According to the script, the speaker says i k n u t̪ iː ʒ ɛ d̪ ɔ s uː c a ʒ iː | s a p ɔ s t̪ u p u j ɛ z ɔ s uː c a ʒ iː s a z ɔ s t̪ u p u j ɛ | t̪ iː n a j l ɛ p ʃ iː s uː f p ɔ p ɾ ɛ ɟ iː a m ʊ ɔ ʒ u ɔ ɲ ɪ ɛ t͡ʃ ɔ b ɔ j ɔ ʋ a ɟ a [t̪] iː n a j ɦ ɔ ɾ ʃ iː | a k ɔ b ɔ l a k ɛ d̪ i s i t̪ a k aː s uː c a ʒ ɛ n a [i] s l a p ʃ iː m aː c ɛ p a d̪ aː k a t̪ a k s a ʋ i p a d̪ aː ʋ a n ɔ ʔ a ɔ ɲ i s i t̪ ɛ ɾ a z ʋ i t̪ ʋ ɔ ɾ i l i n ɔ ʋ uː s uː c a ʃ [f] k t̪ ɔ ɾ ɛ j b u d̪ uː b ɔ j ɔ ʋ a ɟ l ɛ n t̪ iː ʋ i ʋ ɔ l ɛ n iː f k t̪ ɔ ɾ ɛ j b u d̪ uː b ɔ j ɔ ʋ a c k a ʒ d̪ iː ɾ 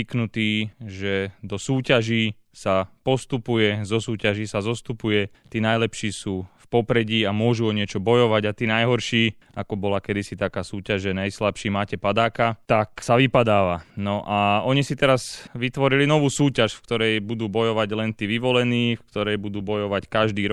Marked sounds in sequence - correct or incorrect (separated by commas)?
correct, incorrect, correct